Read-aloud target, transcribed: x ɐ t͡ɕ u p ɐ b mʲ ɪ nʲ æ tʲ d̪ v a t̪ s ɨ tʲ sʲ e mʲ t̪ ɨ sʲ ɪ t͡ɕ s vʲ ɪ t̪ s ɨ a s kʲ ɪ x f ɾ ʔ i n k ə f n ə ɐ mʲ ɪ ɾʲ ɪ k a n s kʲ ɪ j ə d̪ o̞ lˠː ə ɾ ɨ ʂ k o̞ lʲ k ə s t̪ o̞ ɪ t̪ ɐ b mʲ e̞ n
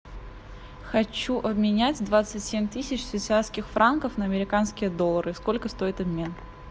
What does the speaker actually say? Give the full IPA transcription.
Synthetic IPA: x ɐ t͡ɕ u ʔ ɐ b mʲ ɪ nʲ æ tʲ d̪ v a t̪ s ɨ tʲ sʲ e mʲ t̪ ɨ sʲ ɪ t͡ɕ s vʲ ɪ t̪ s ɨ a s kʲ ɪ x f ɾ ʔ a n k ə f n ə ɐ mʲ ɪ ɾʲ ɪ k a n s kʲ ɪ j ə d̪ o̞ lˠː ə ɾ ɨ s k o̞ lʲ k ə s t̪ o̞ ɪ t̪ ɐ b mʲ e̞ n

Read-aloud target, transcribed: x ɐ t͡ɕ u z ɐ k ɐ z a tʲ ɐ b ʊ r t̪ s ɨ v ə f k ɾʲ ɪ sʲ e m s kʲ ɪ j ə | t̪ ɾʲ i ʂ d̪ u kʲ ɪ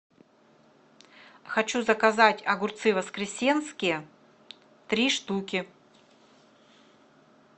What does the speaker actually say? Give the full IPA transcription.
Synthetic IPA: x ɐ t͡ɕ u z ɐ k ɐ z a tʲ ɐ ɡ ʊ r t̪ s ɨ v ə s k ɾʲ ɪ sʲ e n s kʲ ɪ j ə | t̪ ɾʲ i ʂ t̪ u kʲ ɪ

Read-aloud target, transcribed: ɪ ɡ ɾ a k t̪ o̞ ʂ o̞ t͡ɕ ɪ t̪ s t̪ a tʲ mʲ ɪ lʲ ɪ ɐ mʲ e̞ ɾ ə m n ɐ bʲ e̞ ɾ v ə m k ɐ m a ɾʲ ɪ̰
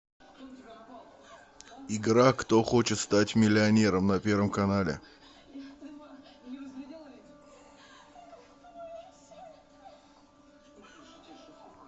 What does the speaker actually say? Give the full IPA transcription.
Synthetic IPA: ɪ ɡ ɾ a k t̪ o̞ x o̞ t͡ɕ ɪ t̪ s t̪ a tʲ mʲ ɪ lʲ ɪ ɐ nʲ e̞ ɾ ə m n ɐ pʲ e̞ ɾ v ə m k ɐ n a lʲ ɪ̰

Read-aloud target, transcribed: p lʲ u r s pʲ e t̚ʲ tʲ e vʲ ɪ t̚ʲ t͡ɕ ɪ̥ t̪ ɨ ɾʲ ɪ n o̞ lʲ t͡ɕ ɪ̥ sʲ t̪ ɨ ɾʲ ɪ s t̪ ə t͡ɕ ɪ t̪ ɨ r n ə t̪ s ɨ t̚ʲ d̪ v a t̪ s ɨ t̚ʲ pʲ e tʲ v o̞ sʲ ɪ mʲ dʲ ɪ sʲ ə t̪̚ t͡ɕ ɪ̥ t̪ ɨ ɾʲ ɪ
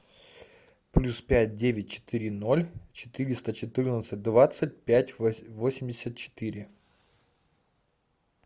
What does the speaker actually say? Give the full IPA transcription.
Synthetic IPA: p lʲ u s pʲ æ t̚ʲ dʲ e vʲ ɪ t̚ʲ t͡ɕ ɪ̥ t̪ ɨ ɾʲ ɪ n o̞ lʲ t͡ɕ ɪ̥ t̪ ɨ ɾʲ ɪ s t̪ ə t͡ɕ ɪ t̪ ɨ r n ə t̪ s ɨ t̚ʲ d̪ v a t̪ s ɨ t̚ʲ pʲ æ tʲ v o̞ sʲ ɪ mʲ dʲ ɪ sʲ ə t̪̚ t͡ɕ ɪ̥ t̪ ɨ ɾʲ ɪ

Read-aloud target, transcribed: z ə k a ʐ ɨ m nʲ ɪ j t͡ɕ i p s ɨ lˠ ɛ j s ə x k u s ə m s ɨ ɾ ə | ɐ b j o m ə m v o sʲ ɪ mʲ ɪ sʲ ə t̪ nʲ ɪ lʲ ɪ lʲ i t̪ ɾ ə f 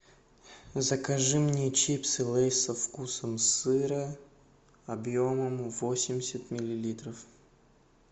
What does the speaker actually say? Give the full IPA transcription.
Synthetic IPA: z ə k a ʐ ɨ m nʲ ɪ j t͡ɕ i p s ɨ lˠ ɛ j s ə f k u s ə m s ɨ ɾ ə | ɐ b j o m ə m v o sʲ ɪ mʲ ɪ sʲ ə t̪ mʲ ɪ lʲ ɪ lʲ i t̪ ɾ ə f

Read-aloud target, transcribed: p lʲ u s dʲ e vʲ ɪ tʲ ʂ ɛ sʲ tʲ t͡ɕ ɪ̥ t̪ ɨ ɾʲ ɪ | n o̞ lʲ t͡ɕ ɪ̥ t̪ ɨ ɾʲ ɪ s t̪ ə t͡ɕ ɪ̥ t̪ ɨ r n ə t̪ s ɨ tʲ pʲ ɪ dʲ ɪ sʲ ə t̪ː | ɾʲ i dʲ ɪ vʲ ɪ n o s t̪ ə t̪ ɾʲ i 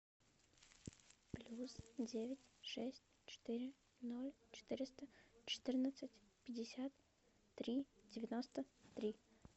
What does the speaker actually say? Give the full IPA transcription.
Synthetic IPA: p lʲ u s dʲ e vʲ ɪ tʲ ʂ ɛ sʲ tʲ t͡ɕ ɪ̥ t̪ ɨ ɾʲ ɪ | n o̞ lʲ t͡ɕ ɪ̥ t̪ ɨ ɾʲ ɪ s t̪ ə t͡ɕ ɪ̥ t̪ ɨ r n ə t̪ s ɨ tʲ pʲ ɪ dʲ ɪ sʲ a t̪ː | ɾʲ i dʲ ɪ vʲ ɪ n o s t̪ ə t̪ ɾʲ i

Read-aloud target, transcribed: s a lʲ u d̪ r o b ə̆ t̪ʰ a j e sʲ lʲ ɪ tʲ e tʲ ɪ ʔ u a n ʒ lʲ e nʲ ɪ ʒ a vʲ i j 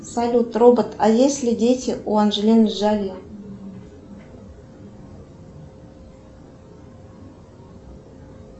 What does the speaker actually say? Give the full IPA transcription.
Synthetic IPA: s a lʲ u t̪ r o b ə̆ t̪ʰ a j e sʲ lʲ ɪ dʲ e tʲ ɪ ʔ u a n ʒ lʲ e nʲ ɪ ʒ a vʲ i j

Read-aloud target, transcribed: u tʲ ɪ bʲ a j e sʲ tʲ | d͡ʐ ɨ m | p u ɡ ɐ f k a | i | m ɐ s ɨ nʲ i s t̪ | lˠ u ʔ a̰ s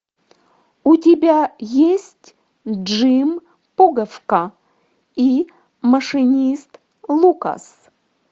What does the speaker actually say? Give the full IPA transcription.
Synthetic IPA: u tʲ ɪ bʲ a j e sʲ tʲ | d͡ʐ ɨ m | p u ɡ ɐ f k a | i | m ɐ ʂ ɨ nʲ i s t̪ | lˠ u k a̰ s

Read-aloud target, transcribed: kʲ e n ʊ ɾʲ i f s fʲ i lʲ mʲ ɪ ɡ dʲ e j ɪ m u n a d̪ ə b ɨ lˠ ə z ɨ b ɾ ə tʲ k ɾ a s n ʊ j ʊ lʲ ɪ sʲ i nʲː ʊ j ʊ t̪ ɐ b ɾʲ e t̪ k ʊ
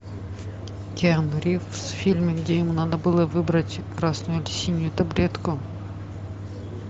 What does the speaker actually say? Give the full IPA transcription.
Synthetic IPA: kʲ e n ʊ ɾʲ i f s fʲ i lʲ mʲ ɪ ɡ dʲ e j ɪ m u n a d̪ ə b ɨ lˠ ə v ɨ b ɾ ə tʲ k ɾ a s n ʊ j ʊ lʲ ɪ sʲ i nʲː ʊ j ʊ t̪ ɐ b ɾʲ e t̪ k ʊ

